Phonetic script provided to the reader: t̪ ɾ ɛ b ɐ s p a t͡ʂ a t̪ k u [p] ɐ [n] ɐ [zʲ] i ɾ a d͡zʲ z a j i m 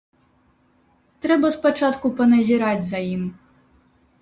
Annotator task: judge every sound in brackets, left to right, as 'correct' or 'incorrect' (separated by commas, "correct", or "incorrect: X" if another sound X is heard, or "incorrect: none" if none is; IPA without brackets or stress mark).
correct, correct, correct